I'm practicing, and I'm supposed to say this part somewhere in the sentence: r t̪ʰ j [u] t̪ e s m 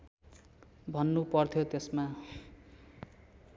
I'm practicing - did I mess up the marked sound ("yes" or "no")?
yes